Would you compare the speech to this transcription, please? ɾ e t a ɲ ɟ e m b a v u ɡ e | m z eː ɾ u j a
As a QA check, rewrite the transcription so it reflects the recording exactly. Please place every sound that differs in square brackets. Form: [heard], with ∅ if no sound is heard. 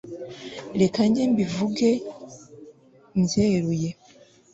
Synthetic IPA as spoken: ɾ e [k] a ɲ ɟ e m b [i] v u ɡ e | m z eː ɾ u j [e]